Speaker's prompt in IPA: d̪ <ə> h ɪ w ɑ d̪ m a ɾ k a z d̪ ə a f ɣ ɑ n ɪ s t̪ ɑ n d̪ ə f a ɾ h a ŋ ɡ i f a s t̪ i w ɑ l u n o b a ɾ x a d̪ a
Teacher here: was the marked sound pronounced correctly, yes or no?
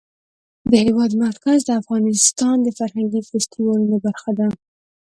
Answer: yes